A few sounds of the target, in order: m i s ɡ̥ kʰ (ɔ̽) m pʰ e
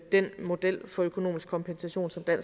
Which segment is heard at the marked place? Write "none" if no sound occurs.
ɒ̽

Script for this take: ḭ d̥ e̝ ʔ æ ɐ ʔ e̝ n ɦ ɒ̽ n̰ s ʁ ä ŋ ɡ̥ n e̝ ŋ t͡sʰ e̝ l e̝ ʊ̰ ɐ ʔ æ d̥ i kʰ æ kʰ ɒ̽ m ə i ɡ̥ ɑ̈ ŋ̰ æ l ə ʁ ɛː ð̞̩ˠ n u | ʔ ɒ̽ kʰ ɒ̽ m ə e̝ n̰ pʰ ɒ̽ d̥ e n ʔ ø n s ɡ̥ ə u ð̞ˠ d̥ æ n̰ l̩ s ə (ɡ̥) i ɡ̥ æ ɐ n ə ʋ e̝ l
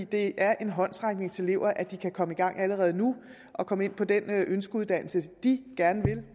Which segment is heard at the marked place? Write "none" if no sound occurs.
d̥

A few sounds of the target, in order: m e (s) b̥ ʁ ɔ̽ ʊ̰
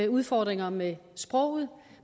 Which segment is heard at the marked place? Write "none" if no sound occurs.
s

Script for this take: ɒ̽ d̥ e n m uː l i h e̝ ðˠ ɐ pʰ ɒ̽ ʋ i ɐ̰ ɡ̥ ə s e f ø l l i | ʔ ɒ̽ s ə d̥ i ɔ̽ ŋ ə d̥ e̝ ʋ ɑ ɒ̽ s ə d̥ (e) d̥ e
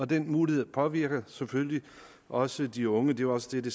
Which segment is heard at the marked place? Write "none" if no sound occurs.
e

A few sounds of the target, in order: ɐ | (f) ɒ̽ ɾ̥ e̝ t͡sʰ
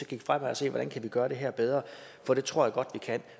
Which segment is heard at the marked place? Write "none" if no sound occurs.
f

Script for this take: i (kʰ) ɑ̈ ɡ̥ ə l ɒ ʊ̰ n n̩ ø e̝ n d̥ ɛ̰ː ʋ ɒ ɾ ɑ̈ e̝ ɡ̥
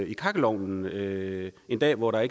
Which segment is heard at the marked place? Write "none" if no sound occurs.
kʰ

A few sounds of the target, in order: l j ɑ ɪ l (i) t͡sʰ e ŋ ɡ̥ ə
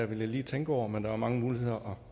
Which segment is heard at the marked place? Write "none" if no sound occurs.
iː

